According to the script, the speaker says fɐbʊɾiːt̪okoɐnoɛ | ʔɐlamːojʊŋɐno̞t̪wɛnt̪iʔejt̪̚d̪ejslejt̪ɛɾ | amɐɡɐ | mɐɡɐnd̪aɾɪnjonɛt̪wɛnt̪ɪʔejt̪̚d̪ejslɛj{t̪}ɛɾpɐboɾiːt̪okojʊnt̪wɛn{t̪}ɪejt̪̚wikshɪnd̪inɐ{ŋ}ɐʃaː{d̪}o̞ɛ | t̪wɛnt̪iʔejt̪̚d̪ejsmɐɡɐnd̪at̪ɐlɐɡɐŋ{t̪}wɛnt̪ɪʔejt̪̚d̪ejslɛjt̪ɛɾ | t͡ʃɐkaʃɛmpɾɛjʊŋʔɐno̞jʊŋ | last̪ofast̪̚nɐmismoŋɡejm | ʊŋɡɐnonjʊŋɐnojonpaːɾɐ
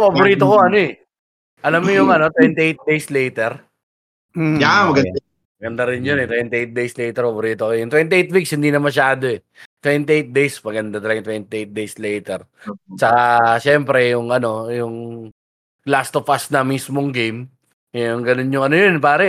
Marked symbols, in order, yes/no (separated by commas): yes, yes, no, yes, yes